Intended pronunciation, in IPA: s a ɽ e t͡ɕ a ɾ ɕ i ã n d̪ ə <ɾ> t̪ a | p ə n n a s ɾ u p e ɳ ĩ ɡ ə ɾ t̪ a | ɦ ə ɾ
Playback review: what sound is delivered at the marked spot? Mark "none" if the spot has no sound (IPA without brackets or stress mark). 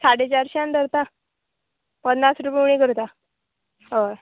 ɾ